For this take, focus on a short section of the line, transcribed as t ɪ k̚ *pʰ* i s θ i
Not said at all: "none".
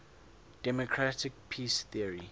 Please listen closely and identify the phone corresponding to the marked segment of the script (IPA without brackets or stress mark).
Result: pʰ